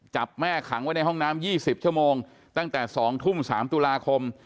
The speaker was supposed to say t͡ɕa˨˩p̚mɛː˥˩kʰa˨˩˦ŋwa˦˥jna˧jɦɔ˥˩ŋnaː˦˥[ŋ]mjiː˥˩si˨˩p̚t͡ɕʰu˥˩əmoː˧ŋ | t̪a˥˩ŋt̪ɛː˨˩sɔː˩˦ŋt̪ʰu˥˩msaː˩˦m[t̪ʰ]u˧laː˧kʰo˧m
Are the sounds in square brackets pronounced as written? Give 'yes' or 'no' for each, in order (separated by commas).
no, no